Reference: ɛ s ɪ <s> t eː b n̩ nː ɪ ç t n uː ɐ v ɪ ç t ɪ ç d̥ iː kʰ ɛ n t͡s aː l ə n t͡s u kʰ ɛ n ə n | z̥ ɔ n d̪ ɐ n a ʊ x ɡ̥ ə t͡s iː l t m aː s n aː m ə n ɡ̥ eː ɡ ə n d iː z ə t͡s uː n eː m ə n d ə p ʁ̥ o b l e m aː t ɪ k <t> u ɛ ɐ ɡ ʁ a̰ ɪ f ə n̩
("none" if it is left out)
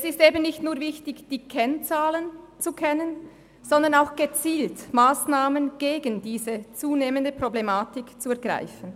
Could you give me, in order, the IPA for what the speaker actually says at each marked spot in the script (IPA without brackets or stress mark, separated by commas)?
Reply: s, t͡s